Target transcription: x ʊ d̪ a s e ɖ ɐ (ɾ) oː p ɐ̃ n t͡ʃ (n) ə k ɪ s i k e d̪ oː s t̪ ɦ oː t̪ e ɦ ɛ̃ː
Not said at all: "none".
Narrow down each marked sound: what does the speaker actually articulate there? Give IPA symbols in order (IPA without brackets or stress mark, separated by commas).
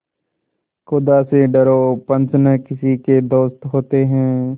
ɾ, n